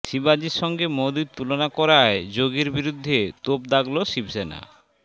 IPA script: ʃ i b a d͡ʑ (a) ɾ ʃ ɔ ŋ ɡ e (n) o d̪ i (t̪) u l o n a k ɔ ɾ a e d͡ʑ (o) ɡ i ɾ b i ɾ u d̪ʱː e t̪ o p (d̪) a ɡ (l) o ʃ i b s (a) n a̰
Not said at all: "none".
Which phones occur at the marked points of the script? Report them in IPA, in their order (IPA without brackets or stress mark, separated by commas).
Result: i, m, t̪, o, d̪, l, e